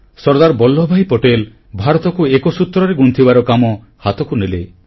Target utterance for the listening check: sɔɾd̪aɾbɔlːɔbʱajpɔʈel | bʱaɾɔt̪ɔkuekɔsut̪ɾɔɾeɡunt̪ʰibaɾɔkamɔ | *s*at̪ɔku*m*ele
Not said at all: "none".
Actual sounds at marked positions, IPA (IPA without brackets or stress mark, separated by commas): h, n